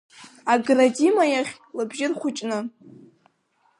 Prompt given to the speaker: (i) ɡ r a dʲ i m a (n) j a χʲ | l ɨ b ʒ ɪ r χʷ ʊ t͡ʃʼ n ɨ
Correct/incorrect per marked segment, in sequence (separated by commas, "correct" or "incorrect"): incorrect, incorrect